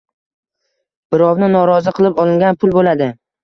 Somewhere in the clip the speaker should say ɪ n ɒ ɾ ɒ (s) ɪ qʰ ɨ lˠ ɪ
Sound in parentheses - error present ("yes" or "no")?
yes